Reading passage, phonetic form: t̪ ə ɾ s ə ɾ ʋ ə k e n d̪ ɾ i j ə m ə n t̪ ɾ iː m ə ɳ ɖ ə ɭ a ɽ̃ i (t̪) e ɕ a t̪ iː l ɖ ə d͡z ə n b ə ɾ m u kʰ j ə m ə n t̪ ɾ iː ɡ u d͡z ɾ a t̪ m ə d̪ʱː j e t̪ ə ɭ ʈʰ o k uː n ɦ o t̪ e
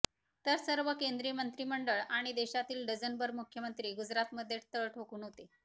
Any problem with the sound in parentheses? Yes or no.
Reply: yes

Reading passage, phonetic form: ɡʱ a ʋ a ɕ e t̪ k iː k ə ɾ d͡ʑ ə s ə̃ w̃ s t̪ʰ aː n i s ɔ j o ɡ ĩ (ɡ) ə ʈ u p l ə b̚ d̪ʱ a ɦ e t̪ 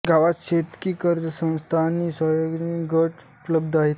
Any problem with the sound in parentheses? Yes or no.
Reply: no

